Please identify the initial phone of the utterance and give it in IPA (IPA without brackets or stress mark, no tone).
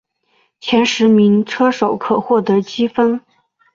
t͡ɕʰ